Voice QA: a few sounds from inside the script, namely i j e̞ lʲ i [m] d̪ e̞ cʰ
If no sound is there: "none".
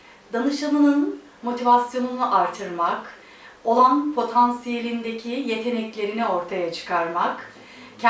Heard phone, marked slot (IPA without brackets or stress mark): n